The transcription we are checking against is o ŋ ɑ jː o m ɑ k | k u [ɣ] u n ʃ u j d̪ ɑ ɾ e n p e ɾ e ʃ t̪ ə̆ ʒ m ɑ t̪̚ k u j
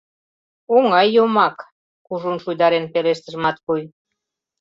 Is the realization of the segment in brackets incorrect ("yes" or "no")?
yes